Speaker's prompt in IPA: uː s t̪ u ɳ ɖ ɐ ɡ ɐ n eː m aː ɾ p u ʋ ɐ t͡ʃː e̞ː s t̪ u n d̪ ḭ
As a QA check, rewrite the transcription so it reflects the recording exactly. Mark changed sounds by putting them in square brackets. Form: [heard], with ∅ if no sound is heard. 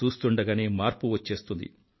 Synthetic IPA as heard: uː s t̪ u ɳ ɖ ɐ ɡ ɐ n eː m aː ɾ p u ʋ ɐ t͡ʃː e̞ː s t̪ u n d̪ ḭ